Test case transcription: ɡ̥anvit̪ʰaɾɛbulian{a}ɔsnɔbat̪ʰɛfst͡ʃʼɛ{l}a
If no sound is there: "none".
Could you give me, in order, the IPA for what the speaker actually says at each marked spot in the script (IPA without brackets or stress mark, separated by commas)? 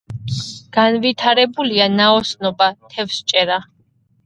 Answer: a, ɾ